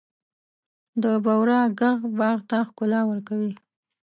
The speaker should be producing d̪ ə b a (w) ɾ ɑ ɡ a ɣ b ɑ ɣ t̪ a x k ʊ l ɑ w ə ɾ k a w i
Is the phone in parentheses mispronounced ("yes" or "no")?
no